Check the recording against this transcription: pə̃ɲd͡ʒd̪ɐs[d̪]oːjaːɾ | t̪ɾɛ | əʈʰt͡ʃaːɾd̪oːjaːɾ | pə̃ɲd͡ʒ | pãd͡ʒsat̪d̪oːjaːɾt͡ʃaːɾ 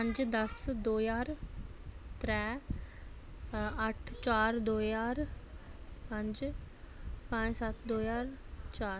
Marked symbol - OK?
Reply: yes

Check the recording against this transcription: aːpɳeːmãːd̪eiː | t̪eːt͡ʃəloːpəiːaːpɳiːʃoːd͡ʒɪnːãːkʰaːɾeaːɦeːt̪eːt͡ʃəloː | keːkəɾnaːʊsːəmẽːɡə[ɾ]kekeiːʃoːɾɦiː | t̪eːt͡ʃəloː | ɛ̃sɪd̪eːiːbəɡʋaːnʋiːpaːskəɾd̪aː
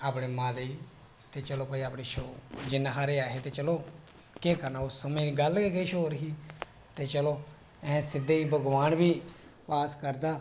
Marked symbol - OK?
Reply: no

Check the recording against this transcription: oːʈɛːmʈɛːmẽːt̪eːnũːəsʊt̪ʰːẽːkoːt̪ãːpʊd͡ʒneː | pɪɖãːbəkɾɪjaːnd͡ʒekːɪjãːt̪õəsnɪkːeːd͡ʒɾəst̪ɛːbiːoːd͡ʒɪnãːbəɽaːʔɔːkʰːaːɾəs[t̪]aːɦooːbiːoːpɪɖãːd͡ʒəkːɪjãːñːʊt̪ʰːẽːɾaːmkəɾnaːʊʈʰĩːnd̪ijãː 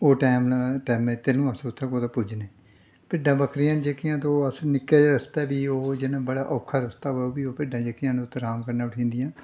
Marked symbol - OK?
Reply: yes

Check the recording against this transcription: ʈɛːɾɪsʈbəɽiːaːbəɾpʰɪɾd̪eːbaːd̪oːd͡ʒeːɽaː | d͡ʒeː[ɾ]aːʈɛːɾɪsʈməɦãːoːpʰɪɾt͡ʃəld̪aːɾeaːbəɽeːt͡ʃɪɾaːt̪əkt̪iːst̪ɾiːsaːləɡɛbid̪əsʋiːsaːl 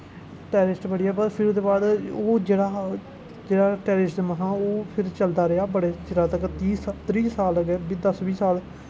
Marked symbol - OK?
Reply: no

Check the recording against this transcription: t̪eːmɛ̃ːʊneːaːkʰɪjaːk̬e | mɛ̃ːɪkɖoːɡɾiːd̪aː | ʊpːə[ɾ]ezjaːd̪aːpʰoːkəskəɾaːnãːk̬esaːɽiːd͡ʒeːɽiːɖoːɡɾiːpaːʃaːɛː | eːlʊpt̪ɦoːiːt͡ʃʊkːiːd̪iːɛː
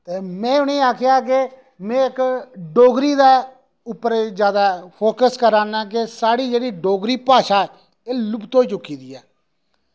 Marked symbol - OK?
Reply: yes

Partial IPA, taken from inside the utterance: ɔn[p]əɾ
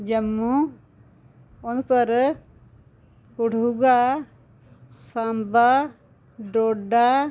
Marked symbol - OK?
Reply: yes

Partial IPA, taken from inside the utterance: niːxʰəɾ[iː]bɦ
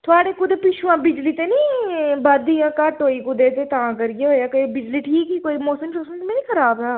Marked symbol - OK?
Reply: no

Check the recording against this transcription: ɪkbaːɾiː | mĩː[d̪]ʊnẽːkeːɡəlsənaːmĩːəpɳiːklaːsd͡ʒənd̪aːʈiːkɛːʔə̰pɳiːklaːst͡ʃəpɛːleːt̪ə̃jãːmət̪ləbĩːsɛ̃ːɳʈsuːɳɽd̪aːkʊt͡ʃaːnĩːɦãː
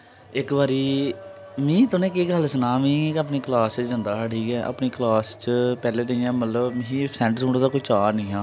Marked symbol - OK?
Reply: no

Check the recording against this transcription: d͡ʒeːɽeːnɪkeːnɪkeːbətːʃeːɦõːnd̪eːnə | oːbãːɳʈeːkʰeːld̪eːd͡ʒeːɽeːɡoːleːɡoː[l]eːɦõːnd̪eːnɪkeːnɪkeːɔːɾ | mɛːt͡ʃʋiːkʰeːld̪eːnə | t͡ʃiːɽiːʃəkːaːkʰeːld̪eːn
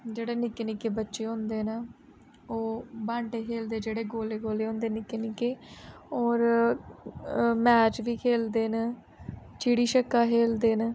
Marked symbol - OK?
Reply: yes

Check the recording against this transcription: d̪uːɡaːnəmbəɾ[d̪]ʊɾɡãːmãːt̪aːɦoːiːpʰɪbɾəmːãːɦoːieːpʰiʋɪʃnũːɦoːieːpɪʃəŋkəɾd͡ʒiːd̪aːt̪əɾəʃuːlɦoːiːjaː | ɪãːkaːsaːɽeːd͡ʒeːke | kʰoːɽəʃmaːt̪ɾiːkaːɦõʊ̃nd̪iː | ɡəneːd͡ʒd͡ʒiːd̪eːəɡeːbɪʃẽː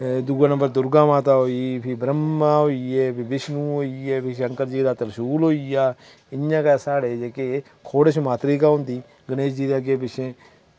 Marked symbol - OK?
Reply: yes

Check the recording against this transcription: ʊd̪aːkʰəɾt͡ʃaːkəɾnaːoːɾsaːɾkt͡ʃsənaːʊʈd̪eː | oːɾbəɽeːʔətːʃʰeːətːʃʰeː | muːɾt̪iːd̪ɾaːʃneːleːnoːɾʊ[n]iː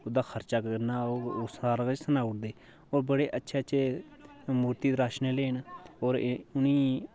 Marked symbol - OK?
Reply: yes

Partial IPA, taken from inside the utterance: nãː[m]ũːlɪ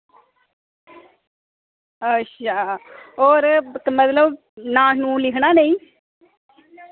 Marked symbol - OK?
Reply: no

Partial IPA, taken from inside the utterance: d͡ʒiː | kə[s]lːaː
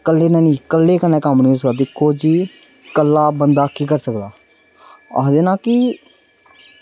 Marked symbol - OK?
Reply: no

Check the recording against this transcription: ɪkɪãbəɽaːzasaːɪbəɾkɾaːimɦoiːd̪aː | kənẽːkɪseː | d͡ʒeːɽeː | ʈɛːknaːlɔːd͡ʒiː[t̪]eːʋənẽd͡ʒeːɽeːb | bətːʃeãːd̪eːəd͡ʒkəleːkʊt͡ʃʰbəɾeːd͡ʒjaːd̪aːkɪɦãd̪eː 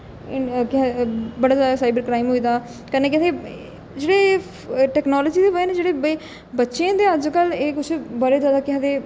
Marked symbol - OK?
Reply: no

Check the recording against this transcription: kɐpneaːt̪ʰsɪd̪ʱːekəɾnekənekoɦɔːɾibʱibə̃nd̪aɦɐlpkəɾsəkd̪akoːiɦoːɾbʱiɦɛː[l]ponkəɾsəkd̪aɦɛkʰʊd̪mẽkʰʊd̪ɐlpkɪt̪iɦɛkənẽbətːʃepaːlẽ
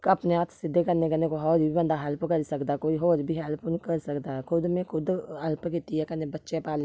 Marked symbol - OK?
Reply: yes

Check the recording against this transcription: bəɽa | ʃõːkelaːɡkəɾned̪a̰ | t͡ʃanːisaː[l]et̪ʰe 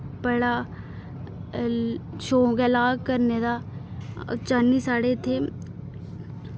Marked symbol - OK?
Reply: no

